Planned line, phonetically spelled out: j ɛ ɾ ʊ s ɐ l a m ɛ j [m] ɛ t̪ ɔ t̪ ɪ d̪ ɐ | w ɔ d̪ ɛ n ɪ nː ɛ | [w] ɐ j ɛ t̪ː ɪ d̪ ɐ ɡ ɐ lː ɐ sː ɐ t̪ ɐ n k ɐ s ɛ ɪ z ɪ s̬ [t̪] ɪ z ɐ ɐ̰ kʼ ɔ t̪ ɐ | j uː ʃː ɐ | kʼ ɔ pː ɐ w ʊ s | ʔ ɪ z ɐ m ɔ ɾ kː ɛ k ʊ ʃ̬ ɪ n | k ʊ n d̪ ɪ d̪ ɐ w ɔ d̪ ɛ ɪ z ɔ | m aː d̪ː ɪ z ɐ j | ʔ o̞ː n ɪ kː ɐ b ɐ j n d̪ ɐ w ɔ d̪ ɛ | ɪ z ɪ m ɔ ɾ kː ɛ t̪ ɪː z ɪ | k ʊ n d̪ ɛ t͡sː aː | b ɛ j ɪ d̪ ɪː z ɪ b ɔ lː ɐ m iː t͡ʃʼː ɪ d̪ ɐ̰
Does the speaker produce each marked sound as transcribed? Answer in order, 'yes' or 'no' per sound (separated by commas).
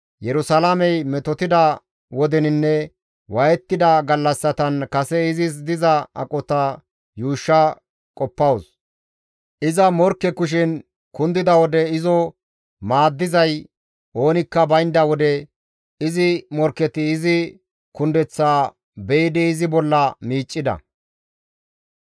yes, yes, no